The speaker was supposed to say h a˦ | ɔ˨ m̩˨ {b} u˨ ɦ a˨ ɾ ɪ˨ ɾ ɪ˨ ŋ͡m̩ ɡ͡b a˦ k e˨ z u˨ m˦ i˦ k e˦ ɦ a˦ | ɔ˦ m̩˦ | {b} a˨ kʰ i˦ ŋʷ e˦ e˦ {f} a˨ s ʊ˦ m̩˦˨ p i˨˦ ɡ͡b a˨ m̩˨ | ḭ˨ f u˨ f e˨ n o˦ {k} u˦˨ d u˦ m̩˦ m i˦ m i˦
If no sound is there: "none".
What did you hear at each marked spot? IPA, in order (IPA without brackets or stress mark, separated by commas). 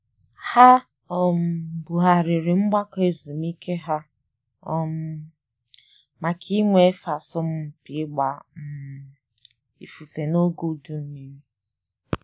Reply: b, m, f, ɡ